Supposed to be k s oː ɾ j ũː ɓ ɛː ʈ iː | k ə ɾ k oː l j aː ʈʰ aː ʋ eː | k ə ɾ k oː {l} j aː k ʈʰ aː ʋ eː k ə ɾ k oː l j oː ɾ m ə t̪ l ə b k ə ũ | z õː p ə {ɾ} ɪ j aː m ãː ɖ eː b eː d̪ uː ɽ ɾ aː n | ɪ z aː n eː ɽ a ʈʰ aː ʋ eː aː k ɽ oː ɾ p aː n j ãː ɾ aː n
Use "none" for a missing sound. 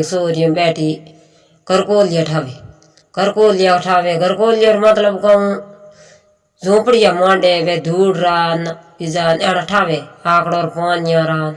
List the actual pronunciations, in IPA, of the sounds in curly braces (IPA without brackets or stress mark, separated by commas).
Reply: l, ɽ